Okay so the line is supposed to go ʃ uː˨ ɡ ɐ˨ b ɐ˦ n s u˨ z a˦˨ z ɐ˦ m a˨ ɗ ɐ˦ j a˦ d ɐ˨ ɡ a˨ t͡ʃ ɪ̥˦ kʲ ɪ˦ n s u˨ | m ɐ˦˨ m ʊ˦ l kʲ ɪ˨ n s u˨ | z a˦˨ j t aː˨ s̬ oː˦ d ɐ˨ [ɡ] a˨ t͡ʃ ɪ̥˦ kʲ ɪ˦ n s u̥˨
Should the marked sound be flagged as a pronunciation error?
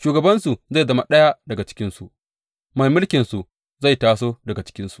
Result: no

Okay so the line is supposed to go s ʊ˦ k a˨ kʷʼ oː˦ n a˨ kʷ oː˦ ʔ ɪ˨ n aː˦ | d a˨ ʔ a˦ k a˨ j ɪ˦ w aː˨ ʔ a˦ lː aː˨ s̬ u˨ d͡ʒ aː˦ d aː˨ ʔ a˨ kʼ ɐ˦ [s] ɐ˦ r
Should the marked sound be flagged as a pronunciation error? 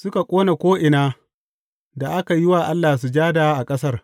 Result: no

